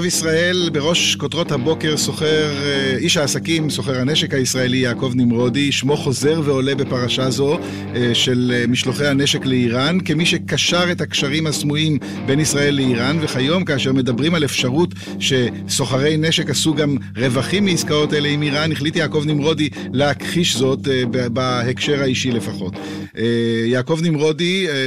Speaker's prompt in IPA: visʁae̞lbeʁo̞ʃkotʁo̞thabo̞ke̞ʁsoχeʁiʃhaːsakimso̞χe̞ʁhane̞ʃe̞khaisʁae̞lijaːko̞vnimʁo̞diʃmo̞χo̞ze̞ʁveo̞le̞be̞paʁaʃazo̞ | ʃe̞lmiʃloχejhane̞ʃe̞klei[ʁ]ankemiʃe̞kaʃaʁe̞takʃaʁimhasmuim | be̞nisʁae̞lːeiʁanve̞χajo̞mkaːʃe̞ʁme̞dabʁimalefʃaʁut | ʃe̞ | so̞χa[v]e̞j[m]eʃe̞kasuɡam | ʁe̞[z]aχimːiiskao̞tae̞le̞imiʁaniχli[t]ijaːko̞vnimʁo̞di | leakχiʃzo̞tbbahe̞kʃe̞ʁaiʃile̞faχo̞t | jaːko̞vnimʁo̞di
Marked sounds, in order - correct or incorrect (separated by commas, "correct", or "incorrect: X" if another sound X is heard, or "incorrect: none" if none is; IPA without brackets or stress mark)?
correct, incorrect: ʁ, incorrect: n, incorrect: v, correct